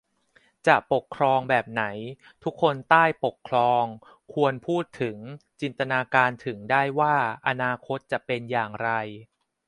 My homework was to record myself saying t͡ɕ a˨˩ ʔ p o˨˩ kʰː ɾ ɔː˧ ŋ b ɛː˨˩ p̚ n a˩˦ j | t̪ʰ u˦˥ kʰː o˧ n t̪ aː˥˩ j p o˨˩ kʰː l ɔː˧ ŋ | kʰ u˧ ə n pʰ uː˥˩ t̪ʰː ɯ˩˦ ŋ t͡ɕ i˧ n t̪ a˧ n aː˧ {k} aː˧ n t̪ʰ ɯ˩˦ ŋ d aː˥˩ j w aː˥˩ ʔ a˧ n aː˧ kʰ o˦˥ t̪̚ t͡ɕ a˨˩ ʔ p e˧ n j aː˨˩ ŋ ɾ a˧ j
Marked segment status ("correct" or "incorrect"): correct